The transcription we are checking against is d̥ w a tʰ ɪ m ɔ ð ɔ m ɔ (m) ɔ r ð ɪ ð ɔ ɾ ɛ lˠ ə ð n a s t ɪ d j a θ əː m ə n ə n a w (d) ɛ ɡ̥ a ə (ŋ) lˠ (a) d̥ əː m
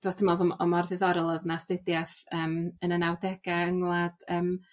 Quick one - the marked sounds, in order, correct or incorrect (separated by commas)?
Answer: correct, correct, correct, correct